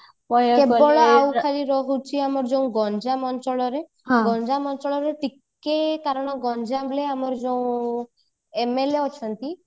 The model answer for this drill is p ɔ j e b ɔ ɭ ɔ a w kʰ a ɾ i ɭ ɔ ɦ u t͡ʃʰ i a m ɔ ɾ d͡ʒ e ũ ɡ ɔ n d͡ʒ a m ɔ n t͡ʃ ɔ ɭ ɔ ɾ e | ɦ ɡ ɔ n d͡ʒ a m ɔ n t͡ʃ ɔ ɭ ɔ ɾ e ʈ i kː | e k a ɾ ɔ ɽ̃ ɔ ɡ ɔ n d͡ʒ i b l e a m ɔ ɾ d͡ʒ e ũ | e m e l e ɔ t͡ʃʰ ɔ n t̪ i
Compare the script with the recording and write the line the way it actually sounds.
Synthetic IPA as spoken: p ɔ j e b ɔ ɭ ɔ a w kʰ a ɾ i ɾ ɔ ɦ u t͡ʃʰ i a m ɔ ɾ d͡ʒ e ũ ɡ ɔ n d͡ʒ a m ɔ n t͡ʃ ɔ ɭ ɔ ɾ e | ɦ ɡ ɔ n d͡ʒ a m ɔ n t͡ʃ ɔ ɭ ɔ ɾ e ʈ i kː | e k a ɾ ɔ ɽ̃ ɔ ɡ ɔ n d͡ʒ a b l e a m ɔ ɾ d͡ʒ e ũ | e m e l e ɔ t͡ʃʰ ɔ n t̪ i